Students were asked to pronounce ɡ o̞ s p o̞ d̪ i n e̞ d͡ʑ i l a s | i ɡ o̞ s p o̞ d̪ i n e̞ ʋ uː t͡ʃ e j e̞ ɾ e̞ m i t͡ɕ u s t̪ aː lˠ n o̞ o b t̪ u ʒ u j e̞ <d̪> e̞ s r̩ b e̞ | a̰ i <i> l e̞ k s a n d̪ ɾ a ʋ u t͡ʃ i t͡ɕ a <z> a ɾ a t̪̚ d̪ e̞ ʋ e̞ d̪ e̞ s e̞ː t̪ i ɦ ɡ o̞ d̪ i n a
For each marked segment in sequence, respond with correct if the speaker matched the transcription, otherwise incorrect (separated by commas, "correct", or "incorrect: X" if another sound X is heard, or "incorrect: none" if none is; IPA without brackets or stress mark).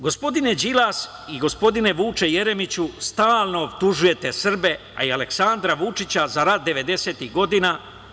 incorrect: t̪, incorrect: a, correct